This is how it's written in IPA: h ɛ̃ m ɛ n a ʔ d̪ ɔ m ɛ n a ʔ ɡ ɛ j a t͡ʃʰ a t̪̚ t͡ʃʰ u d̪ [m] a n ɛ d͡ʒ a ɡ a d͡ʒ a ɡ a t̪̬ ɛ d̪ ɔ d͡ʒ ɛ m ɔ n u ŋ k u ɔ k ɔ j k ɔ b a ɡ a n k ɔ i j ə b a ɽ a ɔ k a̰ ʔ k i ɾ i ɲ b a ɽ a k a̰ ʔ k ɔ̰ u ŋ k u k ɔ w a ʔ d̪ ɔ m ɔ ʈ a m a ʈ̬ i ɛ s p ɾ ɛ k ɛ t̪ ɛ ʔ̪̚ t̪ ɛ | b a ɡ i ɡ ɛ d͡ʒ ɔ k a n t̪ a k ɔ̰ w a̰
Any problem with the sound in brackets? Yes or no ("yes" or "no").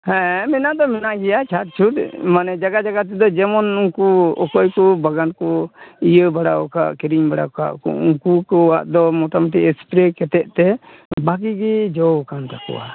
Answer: no